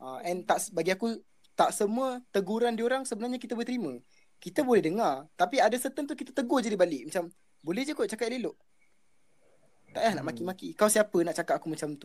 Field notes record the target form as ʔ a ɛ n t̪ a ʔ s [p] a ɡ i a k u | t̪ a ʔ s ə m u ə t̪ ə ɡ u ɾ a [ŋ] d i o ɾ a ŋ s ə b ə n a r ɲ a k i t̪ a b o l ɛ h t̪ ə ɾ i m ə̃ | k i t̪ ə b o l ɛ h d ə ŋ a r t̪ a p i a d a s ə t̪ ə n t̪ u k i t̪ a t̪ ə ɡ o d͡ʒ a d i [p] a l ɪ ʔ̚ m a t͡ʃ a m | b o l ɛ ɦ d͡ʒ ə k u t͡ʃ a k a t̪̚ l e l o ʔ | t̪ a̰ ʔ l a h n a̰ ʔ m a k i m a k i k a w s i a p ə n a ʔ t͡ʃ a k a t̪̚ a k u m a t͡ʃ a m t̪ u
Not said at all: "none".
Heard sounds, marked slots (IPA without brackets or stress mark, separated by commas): b, n, b